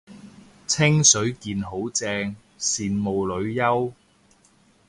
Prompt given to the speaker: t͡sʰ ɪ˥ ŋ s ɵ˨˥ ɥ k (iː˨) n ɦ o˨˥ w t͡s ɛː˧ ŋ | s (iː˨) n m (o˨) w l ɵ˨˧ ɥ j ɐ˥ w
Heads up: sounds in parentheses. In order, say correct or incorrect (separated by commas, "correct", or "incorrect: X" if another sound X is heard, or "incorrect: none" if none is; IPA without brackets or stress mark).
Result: correct, correct, correct